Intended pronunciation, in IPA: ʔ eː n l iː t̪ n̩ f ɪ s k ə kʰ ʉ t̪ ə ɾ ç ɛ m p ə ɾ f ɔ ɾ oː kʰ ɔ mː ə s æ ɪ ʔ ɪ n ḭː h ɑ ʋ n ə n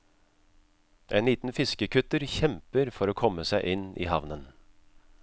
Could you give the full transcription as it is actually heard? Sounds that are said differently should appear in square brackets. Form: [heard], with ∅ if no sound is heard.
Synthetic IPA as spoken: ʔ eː n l iː t̪ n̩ f ɪ s k ə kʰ ʉ t̪ ə ɾ ç ɛ m p ə ɾ f ɔ ɾ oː kʰ ɔ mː ə s æ ɪ ʔ ɪ n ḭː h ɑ ʋ n ə n